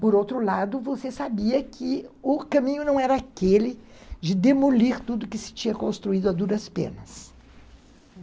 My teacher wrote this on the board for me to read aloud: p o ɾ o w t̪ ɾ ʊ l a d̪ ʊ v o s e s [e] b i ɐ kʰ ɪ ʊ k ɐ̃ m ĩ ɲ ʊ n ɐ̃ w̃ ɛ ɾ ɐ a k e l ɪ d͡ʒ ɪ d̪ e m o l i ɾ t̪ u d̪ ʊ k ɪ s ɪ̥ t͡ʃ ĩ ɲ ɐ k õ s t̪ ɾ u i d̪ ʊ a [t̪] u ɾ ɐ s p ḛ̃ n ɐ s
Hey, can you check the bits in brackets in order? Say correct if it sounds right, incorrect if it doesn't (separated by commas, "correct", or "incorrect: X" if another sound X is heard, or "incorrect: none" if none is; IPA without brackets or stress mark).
incorrect: a, incorrect: d̪